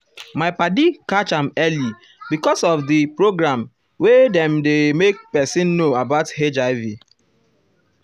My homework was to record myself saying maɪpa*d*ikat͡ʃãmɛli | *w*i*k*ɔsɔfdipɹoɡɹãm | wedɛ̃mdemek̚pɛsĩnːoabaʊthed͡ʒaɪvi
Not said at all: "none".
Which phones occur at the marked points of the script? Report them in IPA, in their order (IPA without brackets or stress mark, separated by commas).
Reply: d, b, k